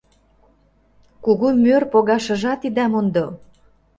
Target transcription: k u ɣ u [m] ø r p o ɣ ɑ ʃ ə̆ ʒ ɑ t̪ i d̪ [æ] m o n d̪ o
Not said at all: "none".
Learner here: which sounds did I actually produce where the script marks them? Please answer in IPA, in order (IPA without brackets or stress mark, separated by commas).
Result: m, æ